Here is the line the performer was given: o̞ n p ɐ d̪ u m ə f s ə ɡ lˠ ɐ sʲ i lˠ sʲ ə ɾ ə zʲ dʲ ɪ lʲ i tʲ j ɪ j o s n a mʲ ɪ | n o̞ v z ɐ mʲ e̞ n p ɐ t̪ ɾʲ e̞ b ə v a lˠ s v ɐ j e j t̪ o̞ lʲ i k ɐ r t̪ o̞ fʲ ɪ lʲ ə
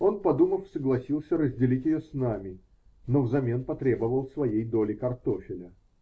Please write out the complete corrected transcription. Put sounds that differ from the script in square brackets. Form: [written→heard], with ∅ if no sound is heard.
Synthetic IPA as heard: o̞ n p ɐ d̪ u m ə f s ə ɡ lˠ ɐ sʲ i lˠ sʲ ə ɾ ə zʲ dʲ ɪ lʲ i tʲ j ɪ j o s n a mʲ ɪ | n o̞ v z ɐ mʲ e̞ n p ɐ t̪ ɾʲ e̞ b ə v [a→ə] lˠ s v ɐ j e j [t̪→d̪] o̞ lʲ [i→ɪ] k ɐ r t̪ o̞ fʲ ɪ lʲ ə